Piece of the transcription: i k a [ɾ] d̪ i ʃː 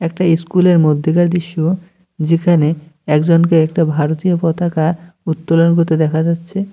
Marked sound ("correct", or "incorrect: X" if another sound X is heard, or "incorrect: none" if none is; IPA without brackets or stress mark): correct